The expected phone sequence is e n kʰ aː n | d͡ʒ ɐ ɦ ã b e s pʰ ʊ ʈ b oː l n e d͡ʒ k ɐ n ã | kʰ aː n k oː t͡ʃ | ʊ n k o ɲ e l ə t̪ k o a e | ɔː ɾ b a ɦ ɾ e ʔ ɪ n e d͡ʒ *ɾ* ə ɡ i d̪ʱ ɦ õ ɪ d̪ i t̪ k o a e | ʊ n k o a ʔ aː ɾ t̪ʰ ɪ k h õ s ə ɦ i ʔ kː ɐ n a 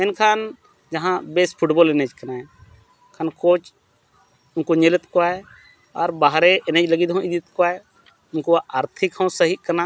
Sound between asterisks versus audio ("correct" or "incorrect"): incorrect